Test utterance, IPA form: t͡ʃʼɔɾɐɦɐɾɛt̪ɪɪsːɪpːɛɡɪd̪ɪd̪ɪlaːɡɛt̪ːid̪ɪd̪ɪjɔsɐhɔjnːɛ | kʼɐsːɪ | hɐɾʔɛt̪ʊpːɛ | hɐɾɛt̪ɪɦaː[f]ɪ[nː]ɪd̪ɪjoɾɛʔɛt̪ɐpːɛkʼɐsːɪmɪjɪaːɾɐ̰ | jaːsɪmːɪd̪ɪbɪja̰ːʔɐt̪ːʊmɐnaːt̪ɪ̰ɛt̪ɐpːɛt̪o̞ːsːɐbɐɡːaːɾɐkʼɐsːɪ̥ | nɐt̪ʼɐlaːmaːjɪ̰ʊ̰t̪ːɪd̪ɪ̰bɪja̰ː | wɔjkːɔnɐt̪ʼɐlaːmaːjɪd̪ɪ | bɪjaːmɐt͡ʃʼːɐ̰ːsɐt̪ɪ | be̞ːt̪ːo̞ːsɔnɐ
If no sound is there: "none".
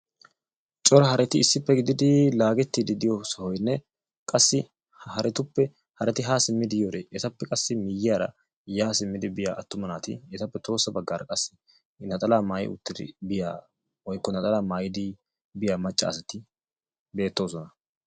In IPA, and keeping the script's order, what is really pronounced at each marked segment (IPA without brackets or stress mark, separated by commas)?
s, mː